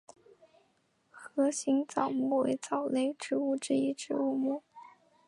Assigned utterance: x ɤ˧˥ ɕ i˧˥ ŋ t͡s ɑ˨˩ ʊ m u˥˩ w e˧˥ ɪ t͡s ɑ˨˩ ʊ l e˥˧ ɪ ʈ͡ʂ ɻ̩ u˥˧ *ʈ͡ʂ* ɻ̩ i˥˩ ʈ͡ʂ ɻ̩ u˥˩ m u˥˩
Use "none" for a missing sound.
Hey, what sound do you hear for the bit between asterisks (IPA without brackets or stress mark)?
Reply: ʈ͡ʂ